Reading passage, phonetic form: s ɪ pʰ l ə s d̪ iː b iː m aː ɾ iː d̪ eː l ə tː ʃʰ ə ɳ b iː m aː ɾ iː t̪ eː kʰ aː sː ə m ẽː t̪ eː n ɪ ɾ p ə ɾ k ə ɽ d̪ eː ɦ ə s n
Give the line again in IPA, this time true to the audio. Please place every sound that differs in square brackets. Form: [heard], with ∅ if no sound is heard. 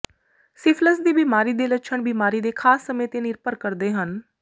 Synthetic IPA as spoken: s ɪ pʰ l ə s d̪ iː b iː m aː ɾ iː d̪ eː l ə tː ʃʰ ə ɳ b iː m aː ɾ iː [d̪] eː kʰ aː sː ə m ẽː t̪ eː n ɪ ɾ p ə ɾ k ə [ɾ] d̪ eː ɦ ə [∅] n

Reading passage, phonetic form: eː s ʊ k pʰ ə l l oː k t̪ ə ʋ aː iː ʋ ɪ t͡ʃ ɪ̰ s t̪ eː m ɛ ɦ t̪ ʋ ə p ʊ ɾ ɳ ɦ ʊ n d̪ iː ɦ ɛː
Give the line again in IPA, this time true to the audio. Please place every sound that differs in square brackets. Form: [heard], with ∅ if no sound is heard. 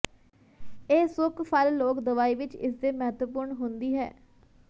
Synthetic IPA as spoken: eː s ʊ k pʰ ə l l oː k [d̪] ə ʋ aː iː ʋ ɪ t͡ʃ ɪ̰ s [d̪] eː m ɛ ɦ t̪ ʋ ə p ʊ ɾ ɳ ɦ ʊ n d̪ iː ɦ ɛː

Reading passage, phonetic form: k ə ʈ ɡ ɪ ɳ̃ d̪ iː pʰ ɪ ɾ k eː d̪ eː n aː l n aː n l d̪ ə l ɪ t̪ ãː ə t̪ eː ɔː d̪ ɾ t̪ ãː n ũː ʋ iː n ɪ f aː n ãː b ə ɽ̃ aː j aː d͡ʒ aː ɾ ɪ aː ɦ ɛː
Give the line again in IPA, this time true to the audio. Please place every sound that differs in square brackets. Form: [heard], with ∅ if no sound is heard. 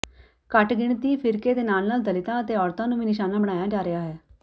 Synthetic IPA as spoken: k ə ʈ ɡ ɪ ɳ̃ [t̪] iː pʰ ɪ ɾ k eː d̪ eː n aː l n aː [∅] l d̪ ə l ɪ t̪ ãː ə t̪ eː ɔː [∅] ɾ t̪ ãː n ũː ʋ iː n ɪ [ʃ] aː n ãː b ə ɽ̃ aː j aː d͡ʒ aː ɾ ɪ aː ɦ ɛː

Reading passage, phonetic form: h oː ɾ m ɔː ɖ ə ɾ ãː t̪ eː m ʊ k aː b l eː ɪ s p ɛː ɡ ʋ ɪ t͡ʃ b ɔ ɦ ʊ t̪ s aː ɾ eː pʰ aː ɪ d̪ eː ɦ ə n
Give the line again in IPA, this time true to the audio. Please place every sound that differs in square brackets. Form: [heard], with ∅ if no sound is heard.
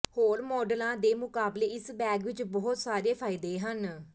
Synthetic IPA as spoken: h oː ɾ m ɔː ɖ ə [l] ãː [d̪] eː m ʊ k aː b l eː ɪ s [b] ɛː ɡ ʋ ɪ t͡ʃ b ɔ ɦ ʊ t̪ s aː ɾ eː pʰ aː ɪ d̪ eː ɦ ə n

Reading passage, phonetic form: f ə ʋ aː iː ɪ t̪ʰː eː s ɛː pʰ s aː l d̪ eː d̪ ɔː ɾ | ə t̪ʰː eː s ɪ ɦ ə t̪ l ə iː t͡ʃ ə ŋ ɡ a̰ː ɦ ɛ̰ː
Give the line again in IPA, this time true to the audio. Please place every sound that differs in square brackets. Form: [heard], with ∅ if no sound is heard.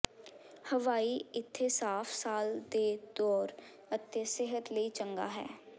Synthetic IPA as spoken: [h] ə ʋ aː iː ɪ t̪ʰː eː s [aː] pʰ s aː l d̪ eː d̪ ɔː ɾ | ə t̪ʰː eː s ɪ ɦ ə t̪ l ə iː t͡ʃ ə ŋ ɡ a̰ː ɦ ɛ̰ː

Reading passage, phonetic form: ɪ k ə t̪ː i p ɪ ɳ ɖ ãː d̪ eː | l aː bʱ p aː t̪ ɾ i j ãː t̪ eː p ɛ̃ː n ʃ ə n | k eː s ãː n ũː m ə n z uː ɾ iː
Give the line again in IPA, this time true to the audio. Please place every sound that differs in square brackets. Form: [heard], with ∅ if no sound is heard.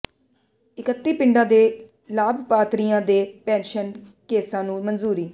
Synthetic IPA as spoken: ɪ k ə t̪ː [iː] p ɪ ɳ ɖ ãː d̪ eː | l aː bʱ p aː t̪ ɾ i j ãː [d̪] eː p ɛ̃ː n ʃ ə n | k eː s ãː n ũː m ə n z uː ɾ iː

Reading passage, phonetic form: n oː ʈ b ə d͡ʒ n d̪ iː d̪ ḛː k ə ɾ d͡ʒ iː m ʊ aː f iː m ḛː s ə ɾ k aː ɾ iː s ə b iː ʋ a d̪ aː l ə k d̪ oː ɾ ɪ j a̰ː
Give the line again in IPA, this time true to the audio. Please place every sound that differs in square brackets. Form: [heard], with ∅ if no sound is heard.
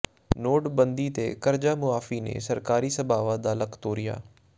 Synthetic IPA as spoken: n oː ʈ b ə [∅] n d̪ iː [t̪] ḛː k ə ɾ d͡ʒ [aː] m ʊ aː f iː [n] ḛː s ə ɾ k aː ɾ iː s ə b [aː] ʋ a d̪ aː l ə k [t̪] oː ɾ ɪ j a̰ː

